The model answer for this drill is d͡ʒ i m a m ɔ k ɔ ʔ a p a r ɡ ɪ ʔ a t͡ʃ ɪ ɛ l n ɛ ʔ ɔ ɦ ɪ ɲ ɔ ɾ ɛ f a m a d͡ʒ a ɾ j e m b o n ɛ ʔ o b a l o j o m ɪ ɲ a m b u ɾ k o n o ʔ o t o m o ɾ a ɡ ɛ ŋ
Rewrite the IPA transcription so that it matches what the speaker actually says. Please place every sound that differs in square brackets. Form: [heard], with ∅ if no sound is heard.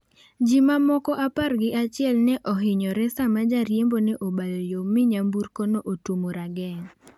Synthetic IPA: d͡ʒ i m a m ɔ k ɔ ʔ a p a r ɡ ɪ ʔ a t͡ʃ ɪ ɛ l n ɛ ʔ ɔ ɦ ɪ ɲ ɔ ɾ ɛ [s] a m a d͡ʒ a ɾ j e m b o n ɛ ʔ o b a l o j o m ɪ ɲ a m b u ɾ k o n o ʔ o t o m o ɾ a ɡ ɛ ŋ